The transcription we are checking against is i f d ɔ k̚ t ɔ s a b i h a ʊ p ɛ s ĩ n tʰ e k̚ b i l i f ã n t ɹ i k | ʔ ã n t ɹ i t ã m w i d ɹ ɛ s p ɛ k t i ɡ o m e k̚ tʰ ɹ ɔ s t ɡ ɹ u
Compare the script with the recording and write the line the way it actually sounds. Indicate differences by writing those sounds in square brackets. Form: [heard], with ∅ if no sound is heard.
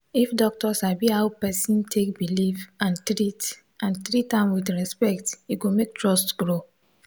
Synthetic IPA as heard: i f d ɔ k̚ t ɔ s a b i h a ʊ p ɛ s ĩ n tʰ e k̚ b i l i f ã n t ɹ i [t] | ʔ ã n t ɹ i t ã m w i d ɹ ɛ s p ɛ k t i ɡ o m e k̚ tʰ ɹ ɔ s t ɡ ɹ [o]